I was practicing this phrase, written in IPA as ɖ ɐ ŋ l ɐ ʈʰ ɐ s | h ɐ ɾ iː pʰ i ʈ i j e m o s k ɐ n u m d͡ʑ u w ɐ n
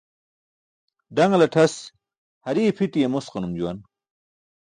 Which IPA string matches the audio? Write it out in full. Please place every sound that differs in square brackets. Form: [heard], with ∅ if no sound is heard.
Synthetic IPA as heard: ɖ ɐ ŋ l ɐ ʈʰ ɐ s | h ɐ ɾ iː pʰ i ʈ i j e m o s [q] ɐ n u m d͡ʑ u w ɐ n